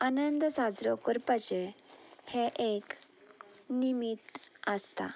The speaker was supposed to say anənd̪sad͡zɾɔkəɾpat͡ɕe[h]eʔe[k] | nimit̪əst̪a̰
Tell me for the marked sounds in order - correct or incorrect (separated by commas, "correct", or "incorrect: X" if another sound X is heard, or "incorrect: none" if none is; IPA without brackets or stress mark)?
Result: correct, correct